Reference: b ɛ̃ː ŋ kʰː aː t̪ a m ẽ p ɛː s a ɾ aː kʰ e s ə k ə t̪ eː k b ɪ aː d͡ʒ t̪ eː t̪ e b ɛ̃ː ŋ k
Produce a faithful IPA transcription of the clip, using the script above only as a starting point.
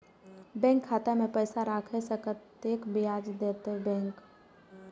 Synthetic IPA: b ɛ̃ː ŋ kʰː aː t̪ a m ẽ p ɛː s a ɾ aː kʰ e s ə k ə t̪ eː k b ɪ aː d͡ʒ d̪ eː t̪ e b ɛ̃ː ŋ k